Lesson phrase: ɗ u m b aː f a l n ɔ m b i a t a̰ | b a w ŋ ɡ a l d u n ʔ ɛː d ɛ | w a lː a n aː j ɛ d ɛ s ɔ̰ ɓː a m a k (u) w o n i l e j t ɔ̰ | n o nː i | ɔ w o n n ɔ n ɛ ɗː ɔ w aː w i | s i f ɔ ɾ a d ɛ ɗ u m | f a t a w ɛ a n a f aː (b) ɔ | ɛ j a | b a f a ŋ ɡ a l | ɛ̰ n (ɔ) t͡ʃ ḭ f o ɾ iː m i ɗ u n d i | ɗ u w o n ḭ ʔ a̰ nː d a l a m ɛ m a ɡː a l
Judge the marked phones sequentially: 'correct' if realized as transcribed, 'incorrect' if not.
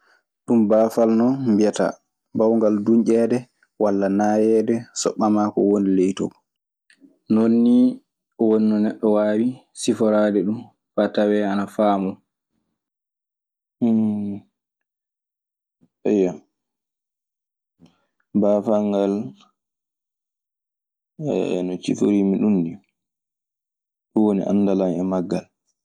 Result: incorrect, incorrect, correct

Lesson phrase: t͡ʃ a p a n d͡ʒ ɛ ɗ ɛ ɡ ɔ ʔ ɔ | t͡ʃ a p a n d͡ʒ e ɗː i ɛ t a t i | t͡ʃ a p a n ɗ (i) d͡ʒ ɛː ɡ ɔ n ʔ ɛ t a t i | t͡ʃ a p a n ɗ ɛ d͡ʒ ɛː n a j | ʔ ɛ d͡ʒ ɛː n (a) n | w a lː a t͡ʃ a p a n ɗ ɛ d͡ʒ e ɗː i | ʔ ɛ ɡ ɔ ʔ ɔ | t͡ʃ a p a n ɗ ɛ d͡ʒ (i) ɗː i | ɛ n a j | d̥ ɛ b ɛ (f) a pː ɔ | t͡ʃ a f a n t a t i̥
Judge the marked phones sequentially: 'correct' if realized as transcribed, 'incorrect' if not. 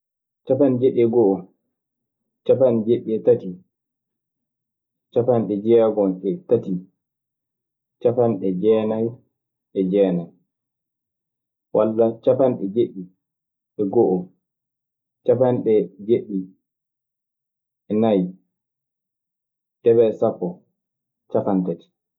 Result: incorrect, correct, incorrect, incorrect

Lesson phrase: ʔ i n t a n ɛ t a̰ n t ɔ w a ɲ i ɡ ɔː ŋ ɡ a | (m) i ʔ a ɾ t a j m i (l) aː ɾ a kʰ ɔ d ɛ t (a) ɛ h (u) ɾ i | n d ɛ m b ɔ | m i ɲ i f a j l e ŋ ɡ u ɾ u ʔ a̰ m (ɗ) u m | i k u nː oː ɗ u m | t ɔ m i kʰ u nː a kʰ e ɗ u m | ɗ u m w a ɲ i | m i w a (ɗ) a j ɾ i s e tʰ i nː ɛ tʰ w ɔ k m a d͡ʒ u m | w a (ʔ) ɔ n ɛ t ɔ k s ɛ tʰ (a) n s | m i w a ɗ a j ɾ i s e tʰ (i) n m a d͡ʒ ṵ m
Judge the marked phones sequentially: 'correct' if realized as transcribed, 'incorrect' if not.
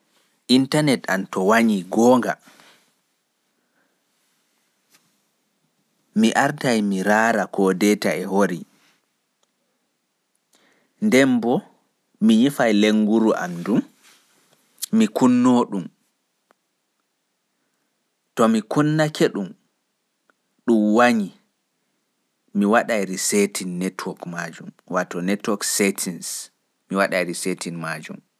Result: correct, incorrect, correct, incorrect, incorrect, correct, incorrect, incorrect, correct

